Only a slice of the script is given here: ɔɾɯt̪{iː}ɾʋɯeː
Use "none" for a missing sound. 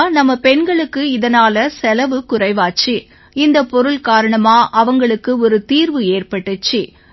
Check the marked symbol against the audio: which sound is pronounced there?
iː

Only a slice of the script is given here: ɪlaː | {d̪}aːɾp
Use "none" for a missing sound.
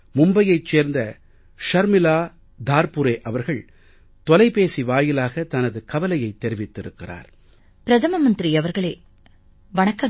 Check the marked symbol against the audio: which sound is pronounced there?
d̪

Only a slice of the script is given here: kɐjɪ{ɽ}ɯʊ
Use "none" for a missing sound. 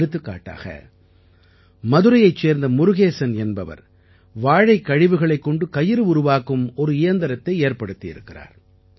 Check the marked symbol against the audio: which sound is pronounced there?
ɾ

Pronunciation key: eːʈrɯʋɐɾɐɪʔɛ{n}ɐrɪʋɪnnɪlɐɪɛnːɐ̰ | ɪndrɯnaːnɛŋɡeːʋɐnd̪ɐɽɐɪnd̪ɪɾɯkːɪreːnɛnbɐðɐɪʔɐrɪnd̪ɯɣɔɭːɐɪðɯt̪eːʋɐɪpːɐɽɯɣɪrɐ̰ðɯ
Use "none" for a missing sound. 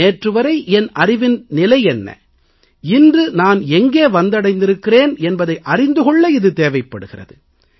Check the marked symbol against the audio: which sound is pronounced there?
n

